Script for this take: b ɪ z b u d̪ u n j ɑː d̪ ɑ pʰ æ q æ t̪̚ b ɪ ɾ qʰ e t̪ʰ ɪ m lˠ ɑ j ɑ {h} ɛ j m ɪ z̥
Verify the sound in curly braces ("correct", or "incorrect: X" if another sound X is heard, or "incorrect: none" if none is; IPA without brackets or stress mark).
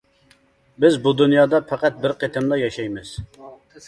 incorrect: ʃ